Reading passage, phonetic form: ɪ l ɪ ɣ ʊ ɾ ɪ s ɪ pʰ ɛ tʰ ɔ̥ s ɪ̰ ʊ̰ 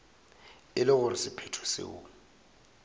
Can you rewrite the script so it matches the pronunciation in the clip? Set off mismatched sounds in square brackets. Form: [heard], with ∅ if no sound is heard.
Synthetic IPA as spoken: ɪ l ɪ ɣ ʊ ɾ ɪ s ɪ pʰ ɛ tʰ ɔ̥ s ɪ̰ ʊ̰